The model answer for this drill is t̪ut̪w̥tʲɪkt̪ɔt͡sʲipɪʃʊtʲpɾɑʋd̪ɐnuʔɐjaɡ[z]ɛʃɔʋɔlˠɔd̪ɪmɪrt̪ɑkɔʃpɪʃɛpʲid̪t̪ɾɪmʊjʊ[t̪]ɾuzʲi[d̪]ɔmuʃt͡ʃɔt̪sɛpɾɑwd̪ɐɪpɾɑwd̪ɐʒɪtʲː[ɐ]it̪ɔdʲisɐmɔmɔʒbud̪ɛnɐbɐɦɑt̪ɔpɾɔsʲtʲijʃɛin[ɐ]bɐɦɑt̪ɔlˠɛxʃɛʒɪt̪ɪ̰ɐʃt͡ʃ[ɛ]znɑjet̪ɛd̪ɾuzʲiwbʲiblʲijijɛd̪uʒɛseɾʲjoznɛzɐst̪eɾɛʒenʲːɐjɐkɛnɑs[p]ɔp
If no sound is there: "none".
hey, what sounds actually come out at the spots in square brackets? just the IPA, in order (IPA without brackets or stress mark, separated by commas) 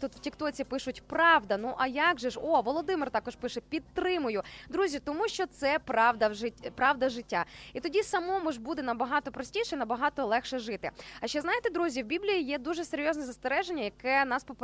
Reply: ʒ, d̪, t̪, a, ɐ, ɛ, p